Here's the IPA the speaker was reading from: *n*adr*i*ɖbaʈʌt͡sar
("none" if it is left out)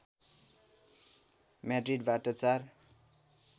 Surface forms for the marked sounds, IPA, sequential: m, i

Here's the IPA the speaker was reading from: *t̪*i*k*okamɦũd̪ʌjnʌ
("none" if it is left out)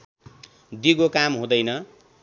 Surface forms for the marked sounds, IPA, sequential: d̪, ɡ

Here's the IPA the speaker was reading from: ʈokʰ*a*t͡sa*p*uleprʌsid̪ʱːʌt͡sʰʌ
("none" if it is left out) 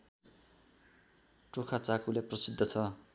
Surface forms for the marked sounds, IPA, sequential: a, k

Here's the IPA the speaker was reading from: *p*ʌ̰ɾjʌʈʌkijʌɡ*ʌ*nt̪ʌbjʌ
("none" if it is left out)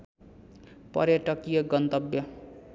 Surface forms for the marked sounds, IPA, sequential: p, ʌ

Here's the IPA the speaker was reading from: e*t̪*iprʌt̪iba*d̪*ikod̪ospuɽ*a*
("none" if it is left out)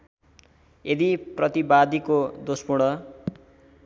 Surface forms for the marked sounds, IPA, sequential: d̪, d̪, ʌ

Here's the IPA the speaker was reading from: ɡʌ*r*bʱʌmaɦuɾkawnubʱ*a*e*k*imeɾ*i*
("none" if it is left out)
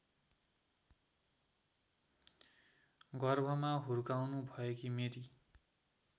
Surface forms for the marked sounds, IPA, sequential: r, ʌ, k, i

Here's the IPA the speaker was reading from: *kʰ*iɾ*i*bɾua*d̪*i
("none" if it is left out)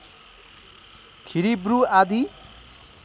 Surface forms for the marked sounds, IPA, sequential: kʰ, i, d̪

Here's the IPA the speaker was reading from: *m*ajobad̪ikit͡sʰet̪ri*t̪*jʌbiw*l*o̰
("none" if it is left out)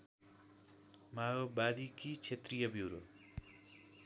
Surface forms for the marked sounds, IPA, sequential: m, none, ɾ

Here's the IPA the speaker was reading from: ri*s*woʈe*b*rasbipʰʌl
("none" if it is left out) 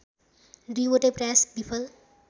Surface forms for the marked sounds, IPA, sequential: none, p

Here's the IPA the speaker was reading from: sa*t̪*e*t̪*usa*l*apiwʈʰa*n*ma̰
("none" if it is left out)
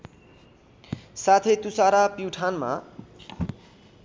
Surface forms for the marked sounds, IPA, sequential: t̪ʰ, t̪, ɾ, n

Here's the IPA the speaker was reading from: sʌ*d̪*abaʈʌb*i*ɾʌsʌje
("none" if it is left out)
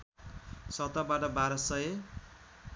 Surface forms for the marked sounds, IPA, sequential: t̪, a

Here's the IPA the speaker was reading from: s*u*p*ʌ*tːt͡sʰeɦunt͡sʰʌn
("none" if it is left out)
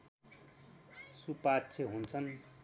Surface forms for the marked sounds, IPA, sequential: u, a

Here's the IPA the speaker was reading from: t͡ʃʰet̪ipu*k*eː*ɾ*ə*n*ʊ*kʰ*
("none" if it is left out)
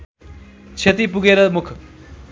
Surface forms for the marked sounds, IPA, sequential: ɡ, ɾ, m, kʰ

